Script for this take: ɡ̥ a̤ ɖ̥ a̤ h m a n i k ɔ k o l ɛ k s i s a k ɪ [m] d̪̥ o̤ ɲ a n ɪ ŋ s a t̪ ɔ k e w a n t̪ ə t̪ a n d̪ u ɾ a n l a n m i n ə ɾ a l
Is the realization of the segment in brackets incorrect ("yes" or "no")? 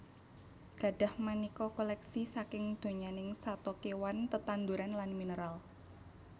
yes